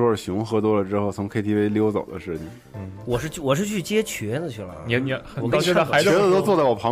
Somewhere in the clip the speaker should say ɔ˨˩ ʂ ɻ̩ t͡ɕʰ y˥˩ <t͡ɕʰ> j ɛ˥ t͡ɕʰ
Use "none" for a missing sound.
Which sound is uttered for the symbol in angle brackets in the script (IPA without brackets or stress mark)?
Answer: t͡ɕ